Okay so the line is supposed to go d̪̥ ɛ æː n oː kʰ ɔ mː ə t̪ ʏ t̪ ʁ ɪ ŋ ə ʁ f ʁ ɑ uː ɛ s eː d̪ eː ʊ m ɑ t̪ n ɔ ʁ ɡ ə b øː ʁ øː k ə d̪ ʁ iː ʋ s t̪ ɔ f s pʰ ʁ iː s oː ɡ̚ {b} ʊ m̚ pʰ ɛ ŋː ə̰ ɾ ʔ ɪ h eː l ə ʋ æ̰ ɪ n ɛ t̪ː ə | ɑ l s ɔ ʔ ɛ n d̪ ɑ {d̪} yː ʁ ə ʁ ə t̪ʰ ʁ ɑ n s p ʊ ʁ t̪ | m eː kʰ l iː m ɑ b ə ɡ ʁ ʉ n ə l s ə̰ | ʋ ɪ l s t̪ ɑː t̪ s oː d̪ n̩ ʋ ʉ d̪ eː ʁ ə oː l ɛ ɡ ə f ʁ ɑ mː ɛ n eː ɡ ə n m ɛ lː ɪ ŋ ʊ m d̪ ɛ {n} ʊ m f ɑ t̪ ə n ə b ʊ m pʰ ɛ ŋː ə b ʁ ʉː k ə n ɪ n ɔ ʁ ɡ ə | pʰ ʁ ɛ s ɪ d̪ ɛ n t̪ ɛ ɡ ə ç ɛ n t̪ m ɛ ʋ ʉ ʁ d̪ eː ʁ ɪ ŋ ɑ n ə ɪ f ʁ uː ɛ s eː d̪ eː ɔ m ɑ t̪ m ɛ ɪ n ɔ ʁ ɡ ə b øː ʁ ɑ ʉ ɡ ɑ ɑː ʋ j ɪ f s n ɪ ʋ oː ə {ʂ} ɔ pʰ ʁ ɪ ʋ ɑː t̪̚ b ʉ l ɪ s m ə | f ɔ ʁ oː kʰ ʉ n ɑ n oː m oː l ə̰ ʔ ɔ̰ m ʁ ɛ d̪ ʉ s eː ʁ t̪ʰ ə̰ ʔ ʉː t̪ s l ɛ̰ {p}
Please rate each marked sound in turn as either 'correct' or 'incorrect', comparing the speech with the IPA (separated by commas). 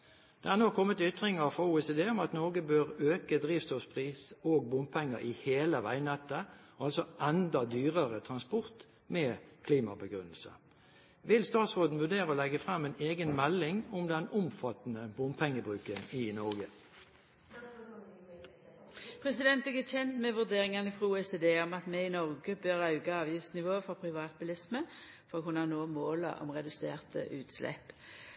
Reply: correct, correct, correct, incorrect, correct